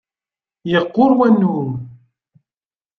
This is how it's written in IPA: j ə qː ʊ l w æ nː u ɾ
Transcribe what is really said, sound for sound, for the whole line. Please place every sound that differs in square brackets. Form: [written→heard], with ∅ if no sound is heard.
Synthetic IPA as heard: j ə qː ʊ [l→ɾ] w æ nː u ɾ